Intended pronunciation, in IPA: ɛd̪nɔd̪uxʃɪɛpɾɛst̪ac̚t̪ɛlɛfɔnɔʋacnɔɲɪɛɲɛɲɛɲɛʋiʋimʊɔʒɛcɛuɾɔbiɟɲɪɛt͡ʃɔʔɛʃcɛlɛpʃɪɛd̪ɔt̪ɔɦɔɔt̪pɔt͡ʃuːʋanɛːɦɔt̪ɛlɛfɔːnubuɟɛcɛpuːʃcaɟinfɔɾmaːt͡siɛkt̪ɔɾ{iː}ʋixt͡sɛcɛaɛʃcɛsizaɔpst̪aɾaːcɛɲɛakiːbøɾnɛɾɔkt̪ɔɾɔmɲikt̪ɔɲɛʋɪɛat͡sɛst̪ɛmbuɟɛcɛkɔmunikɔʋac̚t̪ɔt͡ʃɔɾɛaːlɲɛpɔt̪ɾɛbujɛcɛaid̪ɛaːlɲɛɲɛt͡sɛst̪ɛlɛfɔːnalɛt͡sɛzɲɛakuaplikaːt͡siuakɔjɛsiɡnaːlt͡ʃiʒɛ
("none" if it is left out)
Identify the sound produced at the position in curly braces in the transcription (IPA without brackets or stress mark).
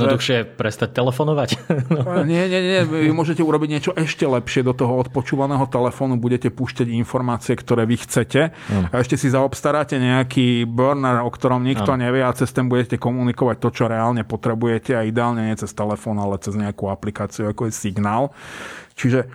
ɛː